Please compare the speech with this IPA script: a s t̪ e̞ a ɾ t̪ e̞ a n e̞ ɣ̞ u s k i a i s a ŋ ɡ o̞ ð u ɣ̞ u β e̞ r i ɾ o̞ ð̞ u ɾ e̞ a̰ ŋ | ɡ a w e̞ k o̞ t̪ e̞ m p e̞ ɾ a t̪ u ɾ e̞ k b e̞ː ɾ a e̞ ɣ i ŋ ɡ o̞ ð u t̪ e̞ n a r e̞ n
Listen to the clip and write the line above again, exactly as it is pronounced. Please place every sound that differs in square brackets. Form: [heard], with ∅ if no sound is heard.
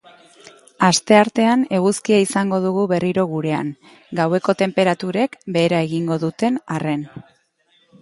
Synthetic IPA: a s t̪ e̞ a ɾ t̪ e̞ a n e̞ ɣ̞ u s k i a i s a ŋ ɡ o̞ ð u ɣ̞ u β e̞ r i ɾ o̞ [ɣ̞] u ɾ e̞ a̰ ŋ | ɡ a w e̞ k o̞ t̪ e̞ m p e̞ ɾ a t̪ u ɾ e̞ k b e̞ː ɾ a e̞ ɣ i ŋ ɡ o̞ ð u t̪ e̞ n a r e̞ n